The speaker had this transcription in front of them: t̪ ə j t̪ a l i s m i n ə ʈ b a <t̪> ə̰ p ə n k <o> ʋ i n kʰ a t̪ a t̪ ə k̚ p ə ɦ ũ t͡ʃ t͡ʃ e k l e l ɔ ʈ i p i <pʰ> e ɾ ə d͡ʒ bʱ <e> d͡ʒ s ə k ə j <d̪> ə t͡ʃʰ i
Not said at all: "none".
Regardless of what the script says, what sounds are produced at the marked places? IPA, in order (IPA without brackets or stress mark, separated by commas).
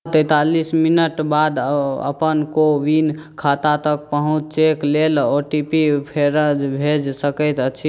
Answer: d̪, o, pʰ, e, t̪